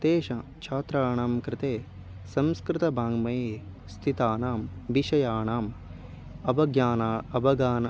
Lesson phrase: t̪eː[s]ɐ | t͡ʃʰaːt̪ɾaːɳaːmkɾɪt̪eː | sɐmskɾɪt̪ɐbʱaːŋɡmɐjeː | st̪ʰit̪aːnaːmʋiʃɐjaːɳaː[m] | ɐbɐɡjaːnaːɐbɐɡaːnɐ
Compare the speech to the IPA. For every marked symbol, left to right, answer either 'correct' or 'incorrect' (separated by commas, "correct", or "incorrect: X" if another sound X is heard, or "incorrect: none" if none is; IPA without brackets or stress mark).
incorrect: ʃ, correct